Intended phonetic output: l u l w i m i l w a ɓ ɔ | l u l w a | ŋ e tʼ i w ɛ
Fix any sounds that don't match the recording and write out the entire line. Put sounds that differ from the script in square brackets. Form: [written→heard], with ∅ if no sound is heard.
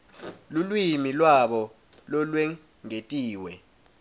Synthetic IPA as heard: l u l w i m i l w a ɓ ɔ | l [u→ɔ] l w [a→ɛ] | ŋ e tʼ [i→iː] w ɛ